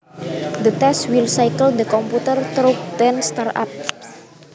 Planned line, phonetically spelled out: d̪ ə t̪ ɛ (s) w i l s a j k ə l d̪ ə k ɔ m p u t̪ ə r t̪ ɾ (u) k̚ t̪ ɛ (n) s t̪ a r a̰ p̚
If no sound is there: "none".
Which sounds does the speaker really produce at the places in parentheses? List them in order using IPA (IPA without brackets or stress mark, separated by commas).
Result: s, o, n